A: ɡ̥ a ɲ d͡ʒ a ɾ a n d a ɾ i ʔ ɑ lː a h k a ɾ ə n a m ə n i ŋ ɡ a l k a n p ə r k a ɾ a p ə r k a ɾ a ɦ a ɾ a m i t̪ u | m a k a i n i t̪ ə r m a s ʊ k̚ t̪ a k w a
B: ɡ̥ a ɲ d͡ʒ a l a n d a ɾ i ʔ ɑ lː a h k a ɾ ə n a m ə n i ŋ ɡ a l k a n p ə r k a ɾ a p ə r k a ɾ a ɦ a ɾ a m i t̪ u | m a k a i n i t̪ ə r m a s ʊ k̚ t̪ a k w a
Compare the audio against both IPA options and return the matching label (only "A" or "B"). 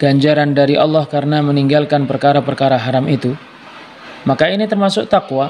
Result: A